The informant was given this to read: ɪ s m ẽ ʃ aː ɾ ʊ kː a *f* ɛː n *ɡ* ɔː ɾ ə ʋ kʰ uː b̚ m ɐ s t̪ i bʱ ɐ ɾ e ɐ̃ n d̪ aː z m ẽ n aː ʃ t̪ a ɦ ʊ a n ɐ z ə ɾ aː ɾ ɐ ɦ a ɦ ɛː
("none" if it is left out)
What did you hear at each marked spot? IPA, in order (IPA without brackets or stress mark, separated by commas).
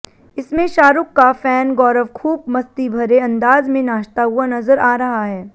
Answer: f, ɡ